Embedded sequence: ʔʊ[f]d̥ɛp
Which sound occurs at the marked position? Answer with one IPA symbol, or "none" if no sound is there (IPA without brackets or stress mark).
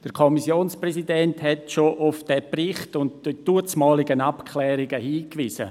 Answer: f